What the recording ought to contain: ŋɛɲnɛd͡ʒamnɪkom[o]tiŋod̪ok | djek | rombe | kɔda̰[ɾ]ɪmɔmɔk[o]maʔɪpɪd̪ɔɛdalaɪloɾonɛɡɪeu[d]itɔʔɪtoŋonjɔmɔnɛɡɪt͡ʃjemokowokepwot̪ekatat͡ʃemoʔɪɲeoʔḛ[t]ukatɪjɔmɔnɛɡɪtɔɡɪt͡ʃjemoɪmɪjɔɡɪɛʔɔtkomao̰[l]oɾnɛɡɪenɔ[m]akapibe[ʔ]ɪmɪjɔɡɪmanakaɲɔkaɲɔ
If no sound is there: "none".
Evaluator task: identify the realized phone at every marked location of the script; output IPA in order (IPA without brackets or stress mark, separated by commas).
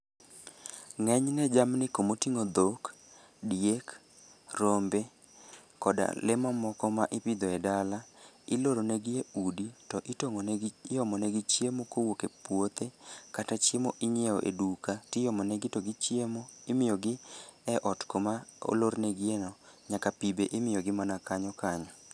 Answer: o, l, ɔ, d, d, l, ɲ, ʔ